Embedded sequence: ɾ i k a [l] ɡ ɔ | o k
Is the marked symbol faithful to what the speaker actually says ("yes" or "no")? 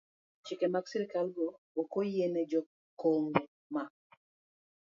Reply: yes